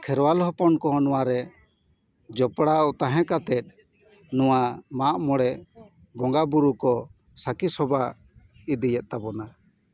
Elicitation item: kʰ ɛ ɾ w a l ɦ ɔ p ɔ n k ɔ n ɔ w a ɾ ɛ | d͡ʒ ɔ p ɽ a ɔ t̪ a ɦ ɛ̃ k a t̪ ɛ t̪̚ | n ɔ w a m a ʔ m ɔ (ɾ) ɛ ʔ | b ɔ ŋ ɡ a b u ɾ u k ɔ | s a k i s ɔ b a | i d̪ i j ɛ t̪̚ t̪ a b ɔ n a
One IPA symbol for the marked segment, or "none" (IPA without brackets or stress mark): ɽ